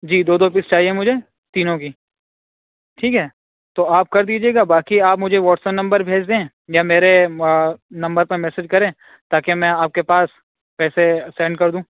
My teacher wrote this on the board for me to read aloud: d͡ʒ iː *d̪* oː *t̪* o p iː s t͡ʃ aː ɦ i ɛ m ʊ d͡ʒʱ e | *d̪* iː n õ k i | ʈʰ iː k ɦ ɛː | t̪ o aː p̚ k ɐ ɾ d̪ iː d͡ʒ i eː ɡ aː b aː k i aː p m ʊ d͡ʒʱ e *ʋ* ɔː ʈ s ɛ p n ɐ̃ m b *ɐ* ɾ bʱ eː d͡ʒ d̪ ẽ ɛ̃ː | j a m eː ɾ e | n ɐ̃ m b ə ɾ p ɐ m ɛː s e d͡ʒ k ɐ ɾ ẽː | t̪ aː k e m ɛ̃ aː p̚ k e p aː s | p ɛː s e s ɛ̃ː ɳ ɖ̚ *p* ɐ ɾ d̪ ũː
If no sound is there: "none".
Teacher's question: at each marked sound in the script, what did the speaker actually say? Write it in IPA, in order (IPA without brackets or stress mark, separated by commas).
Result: d̪, d̪, t̪, ʋ, ə, k